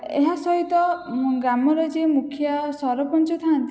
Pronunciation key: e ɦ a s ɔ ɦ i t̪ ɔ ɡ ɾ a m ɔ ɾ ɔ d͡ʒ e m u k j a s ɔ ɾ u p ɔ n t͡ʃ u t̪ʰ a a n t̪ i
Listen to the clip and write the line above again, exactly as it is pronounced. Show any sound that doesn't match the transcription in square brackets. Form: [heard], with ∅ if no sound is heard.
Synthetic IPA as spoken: e ɦ a s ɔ ɦ i t̪ ɔ ɡ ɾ a m ɔ ɾ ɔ d͡ʒ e m u [kʰ] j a s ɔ ɾ [ɔ] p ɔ n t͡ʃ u t̪ʰ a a n t̪ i